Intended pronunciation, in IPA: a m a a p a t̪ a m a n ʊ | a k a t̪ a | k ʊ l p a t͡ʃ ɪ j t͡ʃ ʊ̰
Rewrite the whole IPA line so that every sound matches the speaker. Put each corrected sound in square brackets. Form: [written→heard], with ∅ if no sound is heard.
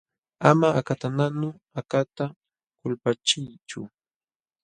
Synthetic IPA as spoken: a m a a [p→k] a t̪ a [m→n] a n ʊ | a k a t̪ a | k ʊ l p a t͡ʃ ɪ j t͡ʃ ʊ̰